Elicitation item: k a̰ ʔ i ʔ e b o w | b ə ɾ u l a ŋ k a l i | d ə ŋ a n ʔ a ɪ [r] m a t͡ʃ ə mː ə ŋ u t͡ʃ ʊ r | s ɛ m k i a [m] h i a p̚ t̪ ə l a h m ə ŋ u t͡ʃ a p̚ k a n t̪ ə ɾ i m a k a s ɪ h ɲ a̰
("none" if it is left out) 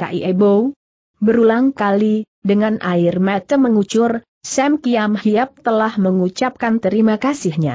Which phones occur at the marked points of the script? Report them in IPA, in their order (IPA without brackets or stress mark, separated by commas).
r, m